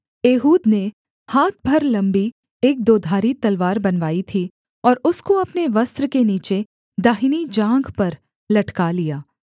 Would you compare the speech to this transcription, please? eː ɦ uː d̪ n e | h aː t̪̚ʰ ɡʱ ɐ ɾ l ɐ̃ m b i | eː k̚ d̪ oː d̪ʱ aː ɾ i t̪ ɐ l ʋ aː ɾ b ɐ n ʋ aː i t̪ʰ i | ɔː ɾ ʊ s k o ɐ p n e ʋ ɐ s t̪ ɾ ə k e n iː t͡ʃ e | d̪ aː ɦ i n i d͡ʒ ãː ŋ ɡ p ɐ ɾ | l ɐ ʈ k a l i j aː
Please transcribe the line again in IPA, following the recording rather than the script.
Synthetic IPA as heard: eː ɦ uː d̪ n e | h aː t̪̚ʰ bʱ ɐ ɾ l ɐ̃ m b i | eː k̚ d̪ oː d̪ʱ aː ɾ i t̪ ɐ l ʋ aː ɾ b ɐ n ʋ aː i t̪ʰ i | ɔː ɾ ʊ s k o ɐ p n e ʋ ɐ s t̪ ɾ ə k e n iː t͡ʃ e | d̪ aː ɦ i n i d͡ʒ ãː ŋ ɡ p ɐ ɾ | l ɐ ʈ k a l i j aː